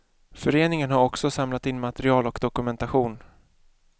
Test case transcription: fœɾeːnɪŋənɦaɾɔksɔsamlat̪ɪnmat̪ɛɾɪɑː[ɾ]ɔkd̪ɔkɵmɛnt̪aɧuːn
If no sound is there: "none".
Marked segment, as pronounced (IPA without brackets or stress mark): l